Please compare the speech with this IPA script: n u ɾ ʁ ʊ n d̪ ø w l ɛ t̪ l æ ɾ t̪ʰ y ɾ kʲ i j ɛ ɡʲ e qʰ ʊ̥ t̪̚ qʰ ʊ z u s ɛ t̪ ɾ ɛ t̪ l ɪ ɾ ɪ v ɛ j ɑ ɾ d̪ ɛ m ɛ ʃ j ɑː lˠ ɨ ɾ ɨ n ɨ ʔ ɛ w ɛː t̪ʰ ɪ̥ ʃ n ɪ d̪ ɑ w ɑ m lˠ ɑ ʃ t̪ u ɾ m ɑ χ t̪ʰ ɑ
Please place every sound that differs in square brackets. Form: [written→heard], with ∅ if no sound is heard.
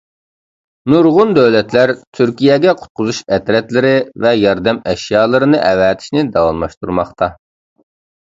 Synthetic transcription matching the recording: n u ɾ ʁ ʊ n d̪ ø w l ɛ t̪ l æ ɾ t̪ʰ y ɾ kʲ i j ɛ ɡʲ [e→ɛ] qʰ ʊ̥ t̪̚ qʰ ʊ z u [s→ʃ] ɛ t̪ ɾ ɛ t̪ l ɪ ɾ ɪ v ɛ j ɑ ɾ d̪ ɛ m ɛ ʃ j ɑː lˠ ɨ ɾ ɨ n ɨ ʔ ɛ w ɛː t̪ʰ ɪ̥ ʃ n ɪ d̪ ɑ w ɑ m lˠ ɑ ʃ t̪ u ɾ m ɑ χ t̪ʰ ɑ